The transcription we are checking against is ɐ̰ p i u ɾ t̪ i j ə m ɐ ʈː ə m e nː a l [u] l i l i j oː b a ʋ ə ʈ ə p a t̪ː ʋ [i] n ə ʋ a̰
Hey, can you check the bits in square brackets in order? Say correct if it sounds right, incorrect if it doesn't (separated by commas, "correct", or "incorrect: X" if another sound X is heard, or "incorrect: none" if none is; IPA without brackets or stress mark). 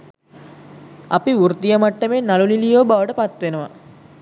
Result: correct, incorrect: e